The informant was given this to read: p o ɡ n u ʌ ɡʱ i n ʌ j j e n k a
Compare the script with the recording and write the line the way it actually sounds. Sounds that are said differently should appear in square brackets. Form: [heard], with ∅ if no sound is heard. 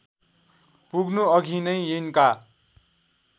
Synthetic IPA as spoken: p [u] ɡ n u ʌ ɡʱ i n ʌ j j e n k a